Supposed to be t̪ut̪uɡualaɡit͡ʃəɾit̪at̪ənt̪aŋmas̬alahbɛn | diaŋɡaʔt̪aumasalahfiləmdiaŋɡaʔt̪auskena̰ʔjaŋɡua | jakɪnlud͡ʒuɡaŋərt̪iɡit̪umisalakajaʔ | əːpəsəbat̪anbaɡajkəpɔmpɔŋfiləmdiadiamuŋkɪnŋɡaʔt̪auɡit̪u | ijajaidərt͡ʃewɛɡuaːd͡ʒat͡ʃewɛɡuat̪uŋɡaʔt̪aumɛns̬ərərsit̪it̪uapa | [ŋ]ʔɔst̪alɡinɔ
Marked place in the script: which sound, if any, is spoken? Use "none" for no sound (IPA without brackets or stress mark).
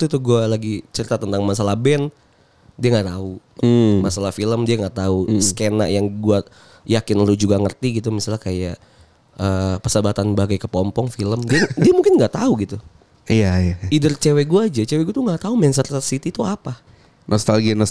n